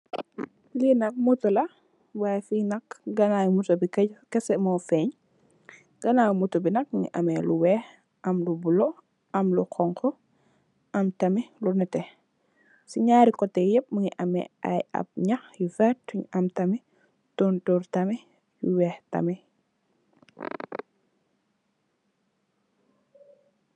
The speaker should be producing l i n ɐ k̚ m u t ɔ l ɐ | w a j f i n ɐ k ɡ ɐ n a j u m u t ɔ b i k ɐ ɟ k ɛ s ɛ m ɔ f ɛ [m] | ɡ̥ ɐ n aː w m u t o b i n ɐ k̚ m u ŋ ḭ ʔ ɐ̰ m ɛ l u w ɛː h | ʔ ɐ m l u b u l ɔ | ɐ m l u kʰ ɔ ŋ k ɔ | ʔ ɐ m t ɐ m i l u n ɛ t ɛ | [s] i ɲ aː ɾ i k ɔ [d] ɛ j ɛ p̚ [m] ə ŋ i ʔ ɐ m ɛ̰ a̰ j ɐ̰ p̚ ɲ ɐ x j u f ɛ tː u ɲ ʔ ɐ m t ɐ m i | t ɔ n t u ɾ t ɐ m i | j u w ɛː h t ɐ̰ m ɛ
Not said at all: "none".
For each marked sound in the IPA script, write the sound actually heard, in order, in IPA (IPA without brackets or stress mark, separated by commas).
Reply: ɲ, s, t, m